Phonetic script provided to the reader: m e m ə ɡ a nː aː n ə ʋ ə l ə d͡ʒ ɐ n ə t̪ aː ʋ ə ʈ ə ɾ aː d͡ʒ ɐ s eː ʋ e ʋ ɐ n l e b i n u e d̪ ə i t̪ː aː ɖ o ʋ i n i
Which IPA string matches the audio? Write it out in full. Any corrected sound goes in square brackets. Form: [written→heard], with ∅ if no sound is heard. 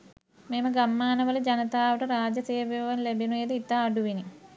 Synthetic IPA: m e m ə ɡ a [nː→mː] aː n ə ʋ ə l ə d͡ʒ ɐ n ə t̪ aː ʋ ə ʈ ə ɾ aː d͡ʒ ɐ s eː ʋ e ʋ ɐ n l e b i n u e d̪ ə i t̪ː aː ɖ [o→u] ʋ i n i